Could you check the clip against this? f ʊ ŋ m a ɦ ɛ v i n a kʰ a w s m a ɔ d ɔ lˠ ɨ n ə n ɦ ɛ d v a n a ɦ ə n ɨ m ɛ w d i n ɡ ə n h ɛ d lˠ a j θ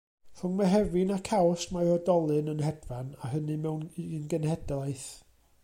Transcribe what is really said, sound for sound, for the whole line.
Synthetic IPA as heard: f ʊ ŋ m a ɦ ɛ v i n a kʰ a w s m a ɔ d ɔ lˠ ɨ n ə n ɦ ɛ d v a n a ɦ ə n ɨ m ɛ w n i n ɡ ə n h ɛ d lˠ a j θ